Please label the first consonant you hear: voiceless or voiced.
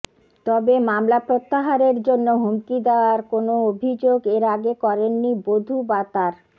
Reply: voiceless